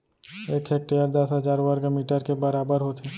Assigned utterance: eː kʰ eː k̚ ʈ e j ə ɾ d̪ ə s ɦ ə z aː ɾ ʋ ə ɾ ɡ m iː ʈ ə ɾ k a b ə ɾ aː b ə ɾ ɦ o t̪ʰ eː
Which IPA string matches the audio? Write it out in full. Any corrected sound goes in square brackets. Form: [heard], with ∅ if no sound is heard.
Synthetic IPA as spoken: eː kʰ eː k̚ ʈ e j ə ɾ d̪ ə s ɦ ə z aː ɾ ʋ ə ɾ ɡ m iː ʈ ə ɾ k [e] b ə ɾ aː b ə ɾ ɦ o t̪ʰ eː

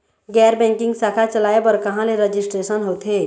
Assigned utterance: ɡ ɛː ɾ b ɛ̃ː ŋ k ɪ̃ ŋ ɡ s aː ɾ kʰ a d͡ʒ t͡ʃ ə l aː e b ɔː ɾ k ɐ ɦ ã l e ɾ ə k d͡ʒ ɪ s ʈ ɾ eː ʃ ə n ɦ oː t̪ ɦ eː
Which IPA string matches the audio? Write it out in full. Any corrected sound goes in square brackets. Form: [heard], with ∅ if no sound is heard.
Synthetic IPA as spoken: ɡ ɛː ɾ b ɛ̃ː ŋ k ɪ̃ ŋ ɡ s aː [∅] kʰ a [∅] t͡ʃ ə l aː e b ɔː ɾ k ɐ ɦ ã l e ɾ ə [∅] d͡ʒ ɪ s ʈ ɾ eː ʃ ə n ɦ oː t̪ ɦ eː

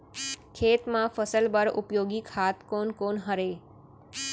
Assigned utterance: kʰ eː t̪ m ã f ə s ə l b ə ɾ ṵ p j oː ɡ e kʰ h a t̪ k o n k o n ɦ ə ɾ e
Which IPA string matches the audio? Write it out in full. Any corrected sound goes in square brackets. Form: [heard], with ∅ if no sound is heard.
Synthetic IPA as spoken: kʰ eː t̪ m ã f ə s ə l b ə ɾ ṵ p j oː ɡ [i] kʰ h a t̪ k o n k o n ɦ ə ɾ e

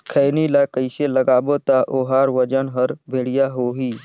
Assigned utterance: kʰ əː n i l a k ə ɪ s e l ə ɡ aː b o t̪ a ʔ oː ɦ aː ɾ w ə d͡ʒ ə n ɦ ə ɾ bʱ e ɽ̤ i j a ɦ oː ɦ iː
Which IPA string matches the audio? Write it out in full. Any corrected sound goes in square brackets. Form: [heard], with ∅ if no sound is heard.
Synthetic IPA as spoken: kʰ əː n i l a k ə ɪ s e l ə ɡ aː b o t̪ a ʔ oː ɦ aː ɾ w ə d͡ʒ ə n ɦ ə ɾ bʱ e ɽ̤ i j a ɦ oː ɦ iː

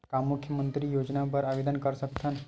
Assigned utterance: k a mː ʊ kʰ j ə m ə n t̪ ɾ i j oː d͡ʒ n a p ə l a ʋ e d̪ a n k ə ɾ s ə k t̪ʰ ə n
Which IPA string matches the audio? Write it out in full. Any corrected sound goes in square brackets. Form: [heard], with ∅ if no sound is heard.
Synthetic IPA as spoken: k a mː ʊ kʰ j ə m ə n t̪ ɾ i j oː d͡ʒ n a p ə [ɾ] a ʋ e d̪ [ə] n k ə ɾ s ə k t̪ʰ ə n

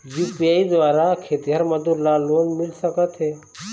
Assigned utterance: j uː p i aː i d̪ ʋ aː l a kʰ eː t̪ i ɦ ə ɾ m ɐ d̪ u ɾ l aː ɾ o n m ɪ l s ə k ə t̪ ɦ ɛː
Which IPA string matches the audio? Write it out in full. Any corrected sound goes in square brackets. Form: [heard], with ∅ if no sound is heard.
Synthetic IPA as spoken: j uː p i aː i d̪ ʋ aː [ɾ] a kʰ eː t̪ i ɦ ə ɾ m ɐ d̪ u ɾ l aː [l] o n m ɪ l s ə k ə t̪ ɦ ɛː

